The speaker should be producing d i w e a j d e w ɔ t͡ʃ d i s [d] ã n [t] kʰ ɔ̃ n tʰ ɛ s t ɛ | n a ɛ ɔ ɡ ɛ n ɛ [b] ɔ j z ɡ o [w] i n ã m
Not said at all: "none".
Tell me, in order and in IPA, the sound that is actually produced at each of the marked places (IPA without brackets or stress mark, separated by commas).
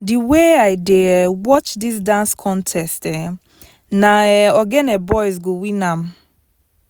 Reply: d, s, b, w